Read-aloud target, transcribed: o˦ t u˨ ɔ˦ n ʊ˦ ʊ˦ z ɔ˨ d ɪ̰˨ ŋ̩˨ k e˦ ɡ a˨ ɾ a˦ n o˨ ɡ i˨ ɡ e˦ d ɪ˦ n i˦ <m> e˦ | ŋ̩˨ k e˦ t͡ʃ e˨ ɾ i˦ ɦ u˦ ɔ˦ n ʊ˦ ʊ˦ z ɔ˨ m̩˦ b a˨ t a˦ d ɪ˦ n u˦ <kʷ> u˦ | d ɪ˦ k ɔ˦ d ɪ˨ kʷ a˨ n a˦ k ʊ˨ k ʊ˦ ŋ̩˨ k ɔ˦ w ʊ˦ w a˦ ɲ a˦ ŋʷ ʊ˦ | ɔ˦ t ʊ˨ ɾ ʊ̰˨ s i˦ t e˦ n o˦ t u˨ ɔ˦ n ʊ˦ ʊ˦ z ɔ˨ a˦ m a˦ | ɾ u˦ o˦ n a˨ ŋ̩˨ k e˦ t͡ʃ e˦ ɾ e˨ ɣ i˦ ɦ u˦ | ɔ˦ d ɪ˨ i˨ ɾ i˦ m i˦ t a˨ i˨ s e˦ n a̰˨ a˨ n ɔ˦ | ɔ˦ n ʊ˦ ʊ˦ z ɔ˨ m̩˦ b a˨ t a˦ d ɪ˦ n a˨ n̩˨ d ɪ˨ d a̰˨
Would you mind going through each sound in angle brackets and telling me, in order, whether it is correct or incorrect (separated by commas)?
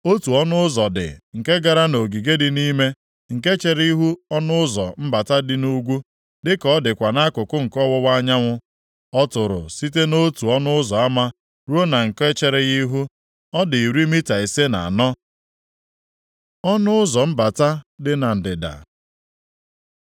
correct, incorrect